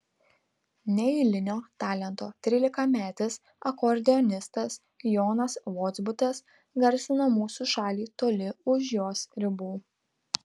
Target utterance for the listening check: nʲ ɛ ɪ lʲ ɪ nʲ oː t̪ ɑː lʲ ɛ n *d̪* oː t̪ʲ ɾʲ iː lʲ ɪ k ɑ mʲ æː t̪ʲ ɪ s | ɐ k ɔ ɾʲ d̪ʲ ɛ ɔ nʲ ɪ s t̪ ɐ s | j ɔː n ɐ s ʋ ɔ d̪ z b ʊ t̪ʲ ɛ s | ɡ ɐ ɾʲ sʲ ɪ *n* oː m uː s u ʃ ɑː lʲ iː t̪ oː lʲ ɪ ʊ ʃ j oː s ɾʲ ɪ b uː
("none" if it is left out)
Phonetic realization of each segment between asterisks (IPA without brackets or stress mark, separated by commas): t̪, n